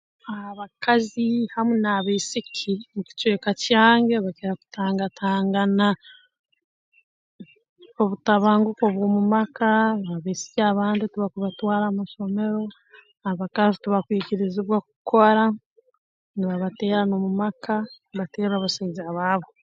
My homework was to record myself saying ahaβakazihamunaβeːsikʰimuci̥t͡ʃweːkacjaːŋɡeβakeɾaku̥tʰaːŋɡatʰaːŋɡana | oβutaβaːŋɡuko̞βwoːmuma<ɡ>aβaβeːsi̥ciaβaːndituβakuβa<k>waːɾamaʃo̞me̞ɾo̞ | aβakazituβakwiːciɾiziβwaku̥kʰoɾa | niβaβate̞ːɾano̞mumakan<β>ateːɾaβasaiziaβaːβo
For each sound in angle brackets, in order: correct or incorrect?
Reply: incorrect: k, incorrect: t, correct

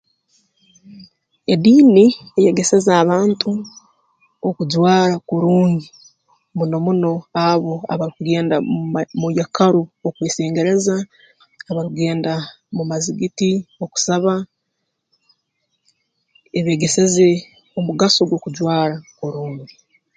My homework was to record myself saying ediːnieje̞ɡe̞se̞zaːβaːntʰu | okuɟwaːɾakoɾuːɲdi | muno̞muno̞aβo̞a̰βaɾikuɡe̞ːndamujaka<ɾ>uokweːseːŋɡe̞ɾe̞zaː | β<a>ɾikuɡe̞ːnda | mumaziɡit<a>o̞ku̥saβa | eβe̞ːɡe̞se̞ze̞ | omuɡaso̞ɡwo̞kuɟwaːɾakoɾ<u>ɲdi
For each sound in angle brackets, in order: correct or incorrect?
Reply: correct, correct, incorrect: i, incorrect: uː

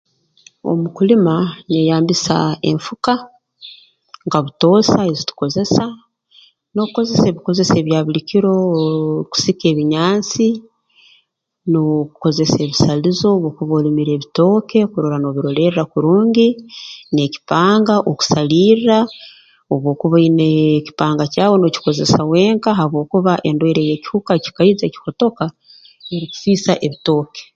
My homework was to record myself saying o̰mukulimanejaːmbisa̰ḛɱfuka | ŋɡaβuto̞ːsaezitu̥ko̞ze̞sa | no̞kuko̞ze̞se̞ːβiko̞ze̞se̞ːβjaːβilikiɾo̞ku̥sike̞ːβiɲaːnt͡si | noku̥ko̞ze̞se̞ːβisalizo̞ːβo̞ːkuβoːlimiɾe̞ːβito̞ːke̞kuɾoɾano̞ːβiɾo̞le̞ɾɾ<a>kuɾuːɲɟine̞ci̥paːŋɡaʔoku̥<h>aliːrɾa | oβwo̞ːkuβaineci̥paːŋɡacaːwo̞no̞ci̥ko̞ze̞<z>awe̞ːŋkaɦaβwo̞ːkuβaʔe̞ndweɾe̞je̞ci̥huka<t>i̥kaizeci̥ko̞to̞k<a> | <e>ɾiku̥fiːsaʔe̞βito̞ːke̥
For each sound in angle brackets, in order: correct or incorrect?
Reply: correct, incorrect: s, incorrect: s, incorrect: c, correct, correct

